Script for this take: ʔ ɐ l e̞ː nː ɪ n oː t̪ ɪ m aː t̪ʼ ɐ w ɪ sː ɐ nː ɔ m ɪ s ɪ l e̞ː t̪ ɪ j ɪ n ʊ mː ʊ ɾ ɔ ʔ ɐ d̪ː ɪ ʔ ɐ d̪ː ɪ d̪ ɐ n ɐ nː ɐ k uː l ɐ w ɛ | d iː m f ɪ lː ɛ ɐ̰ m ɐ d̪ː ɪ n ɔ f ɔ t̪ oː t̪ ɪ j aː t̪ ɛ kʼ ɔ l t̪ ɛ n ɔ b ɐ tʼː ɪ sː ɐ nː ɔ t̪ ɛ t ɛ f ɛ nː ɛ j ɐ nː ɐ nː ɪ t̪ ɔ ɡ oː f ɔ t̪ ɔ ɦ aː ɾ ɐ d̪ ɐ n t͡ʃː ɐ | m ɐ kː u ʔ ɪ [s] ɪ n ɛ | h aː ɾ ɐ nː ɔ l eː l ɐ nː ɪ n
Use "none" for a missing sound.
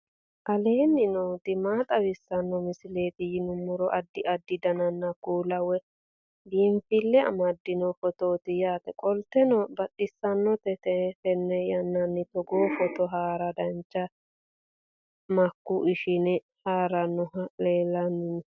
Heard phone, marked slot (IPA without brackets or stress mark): ʃ